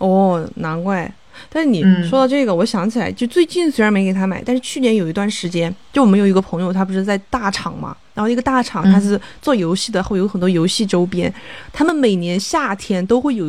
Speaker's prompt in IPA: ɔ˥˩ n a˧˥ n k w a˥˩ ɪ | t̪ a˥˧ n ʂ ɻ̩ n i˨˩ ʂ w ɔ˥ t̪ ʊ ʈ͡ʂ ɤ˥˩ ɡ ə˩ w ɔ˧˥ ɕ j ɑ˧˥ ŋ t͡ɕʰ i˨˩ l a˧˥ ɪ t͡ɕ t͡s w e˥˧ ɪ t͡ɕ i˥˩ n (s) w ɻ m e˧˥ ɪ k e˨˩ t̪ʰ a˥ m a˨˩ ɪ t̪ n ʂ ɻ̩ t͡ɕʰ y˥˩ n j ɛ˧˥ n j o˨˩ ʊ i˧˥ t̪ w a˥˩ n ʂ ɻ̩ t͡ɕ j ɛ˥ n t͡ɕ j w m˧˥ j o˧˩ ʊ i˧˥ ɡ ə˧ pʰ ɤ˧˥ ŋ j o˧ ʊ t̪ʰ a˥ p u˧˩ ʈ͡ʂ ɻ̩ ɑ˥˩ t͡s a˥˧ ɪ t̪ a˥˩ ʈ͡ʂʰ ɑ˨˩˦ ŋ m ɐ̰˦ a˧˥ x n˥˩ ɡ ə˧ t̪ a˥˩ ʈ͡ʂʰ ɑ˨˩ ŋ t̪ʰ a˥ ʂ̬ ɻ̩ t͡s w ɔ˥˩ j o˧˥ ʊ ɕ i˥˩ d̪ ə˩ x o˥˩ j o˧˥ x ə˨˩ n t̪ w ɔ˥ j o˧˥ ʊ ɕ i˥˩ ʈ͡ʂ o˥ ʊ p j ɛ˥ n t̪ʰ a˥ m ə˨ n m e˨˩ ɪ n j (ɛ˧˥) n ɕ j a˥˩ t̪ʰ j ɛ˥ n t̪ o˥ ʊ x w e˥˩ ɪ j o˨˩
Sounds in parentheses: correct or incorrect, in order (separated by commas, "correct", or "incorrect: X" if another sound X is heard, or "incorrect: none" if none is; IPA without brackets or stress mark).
correct, correct